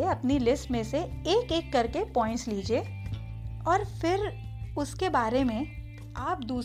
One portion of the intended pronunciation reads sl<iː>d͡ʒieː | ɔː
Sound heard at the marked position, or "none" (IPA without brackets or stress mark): iː